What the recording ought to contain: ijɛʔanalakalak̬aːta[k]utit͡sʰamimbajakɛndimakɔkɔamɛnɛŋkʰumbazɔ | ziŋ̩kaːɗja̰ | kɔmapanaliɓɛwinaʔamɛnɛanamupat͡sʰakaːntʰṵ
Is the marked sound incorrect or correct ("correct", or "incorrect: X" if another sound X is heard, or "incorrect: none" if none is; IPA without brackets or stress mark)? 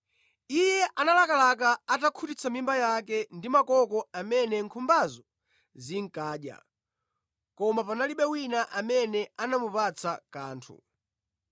incorrect: kʰ